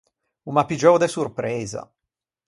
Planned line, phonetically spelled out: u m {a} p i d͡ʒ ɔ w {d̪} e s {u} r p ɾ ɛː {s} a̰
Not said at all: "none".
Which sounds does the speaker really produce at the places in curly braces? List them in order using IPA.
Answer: a, d̪, u, z

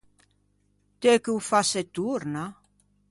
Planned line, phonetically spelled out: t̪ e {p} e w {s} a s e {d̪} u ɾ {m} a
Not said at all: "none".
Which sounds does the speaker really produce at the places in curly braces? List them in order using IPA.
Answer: k, f, t̪, n

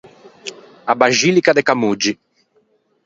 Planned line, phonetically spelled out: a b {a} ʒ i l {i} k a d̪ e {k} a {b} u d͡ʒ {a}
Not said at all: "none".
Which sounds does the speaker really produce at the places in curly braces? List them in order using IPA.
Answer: a, i, k, m, i

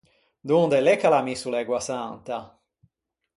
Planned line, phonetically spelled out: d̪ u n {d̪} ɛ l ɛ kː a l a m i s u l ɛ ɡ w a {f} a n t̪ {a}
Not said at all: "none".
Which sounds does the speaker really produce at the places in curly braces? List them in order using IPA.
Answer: d̪, s, a

